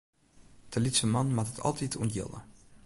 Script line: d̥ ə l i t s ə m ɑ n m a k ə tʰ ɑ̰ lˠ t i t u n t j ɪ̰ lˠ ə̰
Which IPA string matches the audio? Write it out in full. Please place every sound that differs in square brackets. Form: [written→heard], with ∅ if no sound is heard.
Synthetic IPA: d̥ ə l i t s ə m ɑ n m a [k→t] ə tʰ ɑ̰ lˠ t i t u n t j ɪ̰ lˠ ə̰